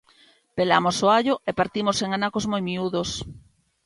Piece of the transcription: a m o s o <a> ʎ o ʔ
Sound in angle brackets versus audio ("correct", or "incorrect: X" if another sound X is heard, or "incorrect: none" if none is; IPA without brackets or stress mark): correct